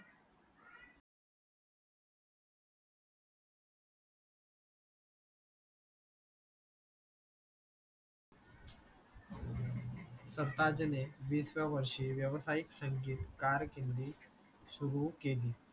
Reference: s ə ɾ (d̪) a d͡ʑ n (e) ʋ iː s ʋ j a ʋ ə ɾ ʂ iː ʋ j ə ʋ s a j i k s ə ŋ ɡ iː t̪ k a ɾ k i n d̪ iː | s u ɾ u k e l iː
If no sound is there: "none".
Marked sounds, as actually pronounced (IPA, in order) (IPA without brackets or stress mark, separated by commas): t̪, e